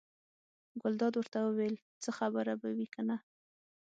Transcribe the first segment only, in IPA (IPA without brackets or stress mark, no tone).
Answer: ɡ